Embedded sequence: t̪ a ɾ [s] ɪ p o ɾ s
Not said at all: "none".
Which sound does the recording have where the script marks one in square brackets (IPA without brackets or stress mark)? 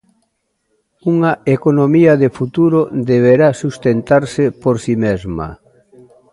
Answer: s